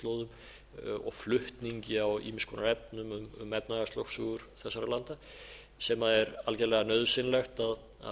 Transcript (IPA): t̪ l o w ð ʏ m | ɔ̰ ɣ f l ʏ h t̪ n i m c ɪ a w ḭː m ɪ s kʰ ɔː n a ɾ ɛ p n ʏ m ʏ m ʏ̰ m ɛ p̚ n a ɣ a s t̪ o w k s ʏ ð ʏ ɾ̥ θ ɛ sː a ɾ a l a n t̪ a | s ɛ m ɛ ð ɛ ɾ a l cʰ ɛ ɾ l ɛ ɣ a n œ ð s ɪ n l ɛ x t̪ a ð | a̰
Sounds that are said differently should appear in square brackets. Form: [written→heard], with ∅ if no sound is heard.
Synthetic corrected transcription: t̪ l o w ð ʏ m | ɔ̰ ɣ f l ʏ h t̪ n i [m→ɲ] c ɪ a w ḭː m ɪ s kʰ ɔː n a ɾ ɛ p n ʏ m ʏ m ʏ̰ m ɛ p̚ n a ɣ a s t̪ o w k s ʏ [ð→ɣ] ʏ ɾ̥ θ ɛ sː a ɾ a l a n t̪ a | s ɛ m [ɛ→a] ð ɛ ɾ a l [cʰ→c] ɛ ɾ l ɛ ɣ a n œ ð s ɪ n l ɛ x t̪ a ð | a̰